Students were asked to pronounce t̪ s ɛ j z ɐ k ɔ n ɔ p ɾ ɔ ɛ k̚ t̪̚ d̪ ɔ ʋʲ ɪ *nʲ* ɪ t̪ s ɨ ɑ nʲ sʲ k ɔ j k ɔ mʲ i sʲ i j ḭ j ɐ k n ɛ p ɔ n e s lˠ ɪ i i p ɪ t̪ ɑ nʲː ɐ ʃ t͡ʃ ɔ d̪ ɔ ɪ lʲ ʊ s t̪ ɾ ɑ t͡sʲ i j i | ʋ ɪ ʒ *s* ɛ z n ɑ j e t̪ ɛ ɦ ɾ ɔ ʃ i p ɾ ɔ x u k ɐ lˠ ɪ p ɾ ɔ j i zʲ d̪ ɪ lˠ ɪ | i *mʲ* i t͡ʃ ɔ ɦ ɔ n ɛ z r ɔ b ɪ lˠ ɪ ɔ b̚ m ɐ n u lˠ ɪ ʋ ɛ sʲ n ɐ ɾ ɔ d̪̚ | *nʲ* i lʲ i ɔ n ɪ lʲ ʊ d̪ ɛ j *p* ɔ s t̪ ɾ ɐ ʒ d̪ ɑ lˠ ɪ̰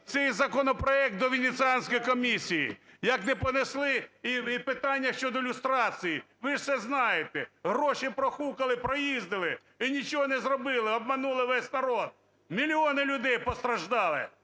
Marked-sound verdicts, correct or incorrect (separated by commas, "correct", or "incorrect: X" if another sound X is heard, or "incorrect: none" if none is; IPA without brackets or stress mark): correct, correct, incorrect: nʲ, incorrect: mʲ, correct